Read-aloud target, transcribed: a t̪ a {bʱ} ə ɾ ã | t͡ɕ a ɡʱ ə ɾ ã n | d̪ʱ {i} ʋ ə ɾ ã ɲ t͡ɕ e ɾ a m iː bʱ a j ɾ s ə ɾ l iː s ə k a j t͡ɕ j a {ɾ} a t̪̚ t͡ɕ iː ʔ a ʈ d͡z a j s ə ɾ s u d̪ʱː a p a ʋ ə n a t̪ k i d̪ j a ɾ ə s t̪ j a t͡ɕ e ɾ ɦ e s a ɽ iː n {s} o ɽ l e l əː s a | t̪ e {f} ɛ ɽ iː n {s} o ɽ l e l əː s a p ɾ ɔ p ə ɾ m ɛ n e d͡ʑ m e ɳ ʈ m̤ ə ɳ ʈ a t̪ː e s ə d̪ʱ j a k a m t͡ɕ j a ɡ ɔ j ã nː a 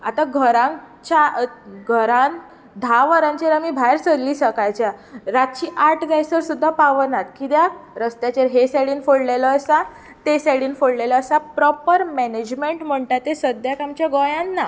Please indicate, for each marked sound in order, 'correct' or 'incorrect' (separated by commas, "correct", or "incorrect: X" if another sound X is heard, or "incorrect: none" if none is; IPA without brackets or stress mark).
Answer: incorrect: ɡʱ, incorrect: a, correct, incorrect: f, incorrect: s, incorrect: f